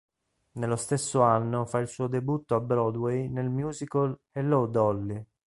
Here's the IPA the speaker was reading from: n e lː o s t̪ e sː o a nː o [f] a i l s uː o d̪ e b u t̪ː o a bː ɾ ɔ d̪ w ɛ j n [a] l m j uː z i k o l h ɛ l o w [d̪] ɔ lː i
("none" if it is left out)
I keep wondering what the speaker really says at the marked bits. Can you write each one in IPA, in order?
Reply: f, e, d̪

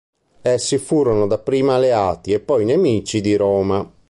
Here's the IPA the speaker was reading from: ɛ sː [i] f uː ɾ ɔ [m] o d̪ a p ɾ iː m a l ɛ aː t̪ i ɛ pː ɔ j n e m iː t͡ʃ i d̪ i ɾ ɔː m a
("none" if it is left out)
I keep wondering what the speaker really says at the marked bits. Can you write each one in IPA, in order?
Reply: i, n

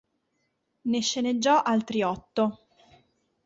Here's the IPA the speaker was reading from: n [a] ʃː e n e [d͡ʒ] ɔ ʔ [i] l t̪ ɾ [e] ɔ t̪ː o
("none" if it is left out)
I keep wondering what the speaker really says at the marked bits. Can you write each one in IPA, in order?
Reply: e, d͡ʒː, a, i

